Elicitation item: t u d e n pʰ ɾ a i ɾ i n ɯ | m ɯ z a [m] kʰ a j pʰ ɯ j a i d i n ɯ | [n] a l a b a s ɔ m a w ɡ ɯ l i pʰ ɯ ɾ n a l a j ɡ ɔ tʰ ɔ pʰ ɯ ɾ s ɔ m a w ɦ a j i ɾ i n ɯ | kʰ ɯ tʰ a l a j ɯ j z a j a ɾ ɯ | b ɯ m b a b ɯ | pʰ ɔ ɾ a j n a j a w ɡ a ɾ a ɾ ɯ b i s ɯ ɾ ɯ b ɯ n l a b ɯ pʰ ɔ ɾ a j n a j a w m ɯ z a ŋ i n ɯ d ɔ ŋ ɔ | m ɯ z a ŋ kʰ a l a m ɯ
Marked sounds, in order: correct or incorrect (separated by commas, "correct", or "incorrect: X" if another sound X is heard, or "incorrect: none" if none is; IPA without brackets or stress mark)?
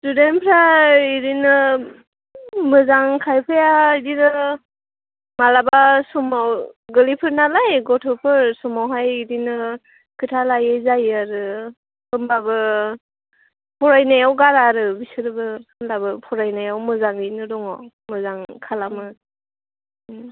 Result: incorrect: ŋ, incorrect: m